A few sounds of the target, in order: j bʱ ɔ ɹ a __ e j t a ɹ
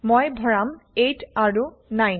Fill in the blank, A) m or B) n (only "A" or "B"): A